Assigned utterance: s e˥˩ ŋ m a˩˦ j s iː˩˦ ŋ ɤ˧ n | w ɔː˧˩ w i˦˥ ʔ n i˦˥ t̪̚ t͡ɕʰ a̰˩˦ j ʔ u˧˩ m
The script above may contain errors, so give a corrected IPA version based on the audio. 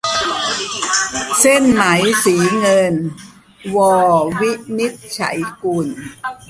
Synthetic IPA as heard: s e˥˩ n m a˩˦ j s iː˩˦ ŋ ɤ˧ n | w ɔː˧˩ w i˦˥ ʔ n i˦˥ t̪̚ t͡ɕʰ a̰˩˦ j k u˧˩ n